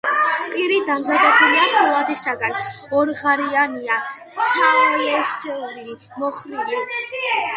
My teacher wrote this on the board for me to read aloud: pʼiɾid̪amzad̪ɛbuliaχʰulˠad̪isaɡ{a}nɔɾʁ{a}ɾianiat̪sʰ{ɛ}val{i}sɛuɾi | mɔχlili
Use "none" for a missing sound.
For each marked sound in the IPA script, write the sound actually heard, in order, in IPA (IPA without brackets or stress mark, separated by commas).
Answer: a, a, a, ɛ